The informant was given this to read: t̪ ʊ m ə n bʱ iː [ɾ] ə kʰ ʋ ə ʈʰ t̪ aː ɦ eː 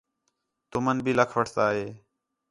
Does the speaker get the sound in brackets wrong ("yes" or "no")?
yes